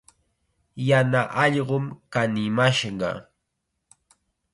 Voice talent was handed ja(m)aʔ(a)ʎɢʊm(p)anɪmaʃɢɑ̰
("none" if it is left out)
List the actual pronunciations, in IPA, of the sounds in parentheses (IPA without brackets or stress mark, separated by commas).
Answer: n, ɑ, k